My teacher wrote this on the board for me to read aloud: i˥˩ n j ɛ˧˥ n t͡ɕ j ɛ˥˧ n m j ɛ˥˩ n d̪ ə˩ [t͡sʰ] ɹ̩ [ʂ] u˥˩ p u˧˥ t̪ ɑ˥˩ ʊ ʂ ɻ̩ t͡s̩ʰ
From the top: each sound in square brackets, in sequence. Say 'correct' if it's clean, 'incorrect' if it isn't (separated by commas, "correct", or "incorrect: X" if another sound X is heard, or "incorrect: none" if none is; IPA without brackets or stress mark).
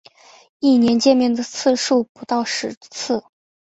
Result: correct, correct